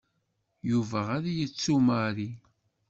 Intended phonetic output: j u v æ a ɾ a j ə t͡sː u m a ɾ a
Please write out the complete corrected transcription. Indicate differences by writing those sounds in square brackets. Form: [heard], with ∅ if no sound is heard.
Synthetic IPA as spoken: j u v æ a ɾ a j ə t͡sː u m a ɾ [i]